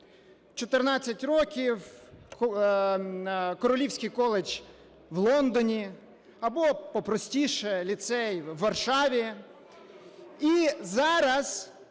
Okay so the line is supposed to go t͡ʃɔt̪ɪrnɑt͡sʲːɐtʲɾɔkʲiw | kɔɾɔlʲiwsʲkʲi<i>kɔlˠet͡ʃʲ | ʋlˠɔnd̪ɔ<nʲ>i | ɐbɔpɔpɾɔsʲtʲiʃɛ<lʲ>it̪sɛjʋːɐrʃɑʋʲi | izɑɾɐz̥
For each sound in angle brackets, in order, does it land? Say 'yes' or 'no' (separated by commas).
no, yes, yes